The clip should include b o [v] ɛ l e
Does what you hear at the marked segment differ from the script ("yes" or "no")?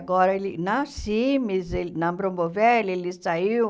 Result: no